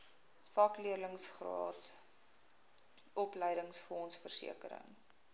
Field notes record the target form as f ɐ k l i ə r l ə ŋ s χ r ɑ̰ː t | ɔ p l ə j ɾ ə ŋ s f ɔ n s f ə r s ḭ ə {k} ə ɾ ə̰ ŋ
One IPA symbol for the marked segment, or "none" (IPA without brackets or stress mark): k